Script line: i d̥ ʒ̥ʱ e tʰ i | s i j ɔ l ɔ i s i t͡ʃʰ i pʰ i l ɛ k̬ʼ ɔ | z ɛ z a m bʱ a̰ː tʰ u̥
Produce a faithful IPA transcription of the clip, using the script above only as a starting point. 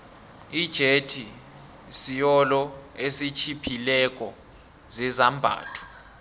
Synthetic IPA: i d̥ ʒ̥ʱ e tʰ i | s i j ɔ l ɔ e s i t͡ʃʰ i pʰ i l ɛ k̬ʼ ɔ | z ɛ z a m bʱ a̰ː tʰ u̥